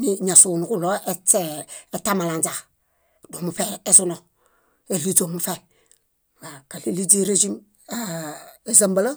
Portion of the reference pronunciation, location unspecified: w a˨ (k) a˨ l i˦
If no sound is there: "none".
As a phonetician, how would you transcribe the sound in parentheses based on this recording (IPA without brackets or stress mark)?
k